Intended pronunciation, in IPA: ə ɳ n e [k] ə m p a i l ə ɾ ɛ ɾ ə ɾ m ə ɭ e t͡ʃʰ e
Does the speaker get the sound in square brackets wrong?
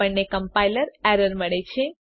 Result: no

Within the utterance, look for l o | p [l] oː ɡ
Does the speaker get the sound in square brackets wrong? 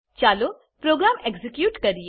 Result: yes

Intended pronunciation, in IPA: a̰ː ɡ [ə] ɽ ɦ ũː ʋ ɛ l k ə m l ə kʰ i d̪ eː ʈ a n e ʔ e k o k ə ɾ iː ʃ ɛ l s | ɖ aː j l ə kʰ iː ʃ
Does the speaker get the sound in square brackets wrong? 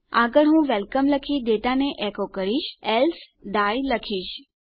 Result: no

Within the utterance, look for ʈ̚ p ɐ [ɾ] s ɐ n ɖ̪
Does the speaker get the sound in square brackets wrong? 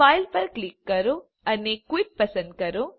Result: yes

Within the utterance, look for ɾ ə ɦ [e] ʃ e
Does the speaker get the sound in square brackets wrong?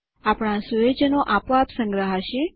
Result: yes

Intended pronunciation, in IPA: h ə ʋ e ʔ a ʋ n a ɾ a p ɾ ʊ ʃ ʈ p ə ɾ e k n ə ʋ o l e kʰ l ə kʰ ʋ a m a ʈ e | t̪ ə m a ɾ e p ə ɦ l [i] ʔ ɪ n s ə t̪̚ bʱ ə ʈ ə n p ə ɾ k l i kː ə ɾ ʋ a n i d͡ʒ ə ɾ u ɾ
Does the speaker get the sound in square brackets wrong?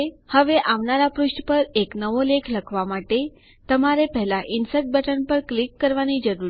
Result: yes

